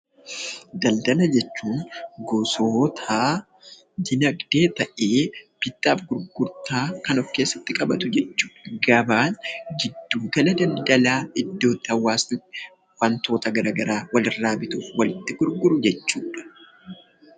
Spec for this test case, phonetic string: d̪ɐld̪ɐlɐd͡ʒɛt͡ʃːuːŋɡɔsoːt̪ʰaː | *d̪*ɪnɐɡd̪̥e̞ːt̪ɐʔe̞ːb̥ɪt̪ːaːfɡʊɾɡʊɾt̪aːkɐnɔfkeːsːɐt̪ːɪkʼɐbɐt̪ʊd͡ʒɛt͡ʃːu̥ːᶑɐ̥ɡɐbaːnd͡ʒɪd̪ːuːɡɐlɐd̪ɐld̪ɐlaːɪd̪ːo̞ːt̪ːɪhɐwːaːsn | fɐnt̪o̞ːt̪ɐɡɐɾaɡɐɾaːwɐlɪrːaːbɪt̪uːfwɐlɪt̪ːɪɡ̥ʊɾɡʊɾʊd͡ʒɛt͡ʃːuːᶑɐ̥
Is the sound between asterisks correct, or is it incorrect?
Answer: correct